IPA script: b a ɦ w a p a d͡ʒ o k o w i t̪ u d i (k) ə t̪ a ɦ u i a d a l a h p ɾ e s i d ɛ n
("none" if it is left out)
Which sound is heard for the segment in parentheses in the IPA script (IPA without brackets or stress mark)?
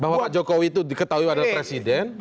k